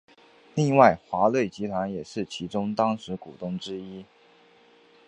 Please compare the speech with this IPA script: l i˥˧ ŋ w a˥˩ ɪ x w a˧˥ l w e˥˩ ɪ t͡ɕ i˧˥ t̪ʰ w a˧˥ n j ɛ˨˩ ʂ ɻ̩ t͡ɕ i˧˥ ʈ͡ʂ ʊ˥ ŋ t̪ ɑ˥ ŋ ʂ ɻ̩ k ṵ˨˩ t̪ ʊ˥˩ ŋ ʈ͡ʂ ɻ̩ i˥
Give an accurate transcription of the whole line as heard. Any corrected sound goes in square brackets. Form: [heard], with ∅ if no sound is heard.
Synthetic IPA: l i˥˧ ŋ w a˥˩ ɪ x w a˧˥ l w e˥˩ ɪ t͡ɕ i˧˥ t̪ʰ w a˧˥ n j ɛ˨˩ ʂ ɻ̩ [t͡ɕʰ] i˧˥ ʈ͡ʂ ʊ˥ ŋ t̪ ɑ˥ ŋ ʂ ɻ̩ k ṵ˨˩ t̪ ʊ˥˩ ŋ ʈ͡ʂ ɻ̩ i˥